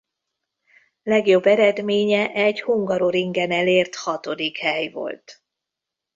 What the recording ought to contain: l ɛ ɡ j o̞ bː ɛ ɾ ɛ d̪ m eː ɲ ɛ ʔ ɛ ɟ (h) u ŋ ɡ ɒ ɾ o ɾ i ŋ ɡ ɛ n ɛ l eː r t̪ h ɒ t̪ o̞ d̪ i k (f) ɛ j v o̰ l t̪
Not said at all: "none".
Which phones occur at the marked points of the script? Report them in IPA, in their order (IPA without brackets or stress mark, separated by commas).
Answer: h, h